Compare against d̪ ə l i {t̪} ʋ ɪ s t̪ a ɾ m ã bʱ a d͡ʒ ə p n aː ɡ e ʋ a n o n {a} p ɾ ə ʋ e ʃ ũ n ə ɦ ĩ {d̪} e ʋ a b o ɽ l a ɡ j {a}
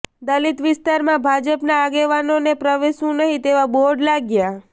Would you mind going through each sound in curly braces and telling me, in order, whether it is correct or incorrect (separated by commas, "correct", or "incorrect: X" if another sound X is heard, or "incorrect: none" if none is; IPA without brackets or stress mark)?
correct, incorrect: e, incorrect: t̪, correct